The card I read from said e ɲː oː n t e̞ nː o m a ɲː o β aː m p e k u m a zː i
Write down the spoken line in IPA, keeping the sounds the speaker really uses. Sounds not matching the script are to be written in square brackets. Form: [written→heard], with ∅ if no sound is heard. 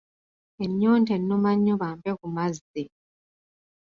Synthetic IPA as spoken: e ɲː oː n t e̞ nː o m a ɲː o β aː m p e k u m a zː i